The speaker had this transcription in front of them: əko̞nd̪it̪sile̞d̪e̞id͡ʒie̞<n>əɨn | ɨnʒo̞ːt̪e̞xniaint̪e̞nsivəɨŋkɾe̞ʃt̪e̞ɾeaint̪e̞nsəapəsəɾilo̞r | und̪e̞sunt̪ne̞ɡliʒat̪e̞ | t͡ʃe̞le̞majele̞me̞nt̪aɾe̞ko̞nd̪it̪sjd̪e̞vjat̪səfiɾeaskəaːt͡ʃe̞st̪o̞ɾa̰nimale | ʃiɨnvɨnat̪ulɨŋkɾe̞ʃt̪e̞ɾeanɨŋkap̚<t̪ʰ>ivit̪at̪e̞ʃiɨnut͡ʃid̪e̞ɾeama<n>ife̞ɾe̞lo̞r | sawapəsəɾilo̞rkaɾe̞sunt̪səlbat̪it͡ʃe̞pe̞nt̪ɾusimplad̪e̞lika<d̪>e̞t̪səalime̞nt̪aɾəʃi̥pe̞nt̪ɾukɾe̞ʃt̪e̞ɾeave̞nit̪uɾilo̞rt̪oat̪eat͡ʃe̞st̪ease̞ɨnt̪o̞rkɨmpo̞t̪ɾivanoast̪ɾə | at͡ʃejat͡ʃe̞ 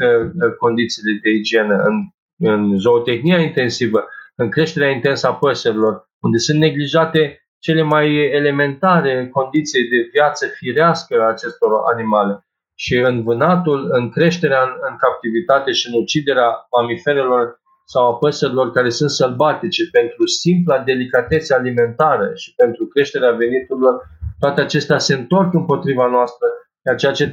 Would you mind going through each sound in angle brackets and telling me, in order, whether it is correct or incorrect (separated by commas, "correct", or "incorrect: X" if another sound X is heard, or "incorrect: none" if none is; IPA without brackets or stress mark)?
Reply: correct, incorrect: t̪, incorrect: m, incorrect: t̪